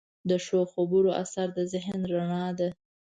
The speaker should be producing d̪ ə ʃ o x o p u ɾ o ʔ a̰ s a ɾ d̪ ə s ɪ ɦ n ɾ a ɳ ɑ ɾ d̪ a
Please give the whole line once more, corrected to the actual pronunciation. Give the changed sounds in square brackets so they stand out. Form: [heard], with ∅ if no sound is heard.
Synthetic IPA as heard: d̪ ə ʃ o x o [b] u ɾ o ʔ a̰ s a ɾ d̪ ə [z] ɪ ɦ n ɾ a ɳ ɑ [∅] d̪ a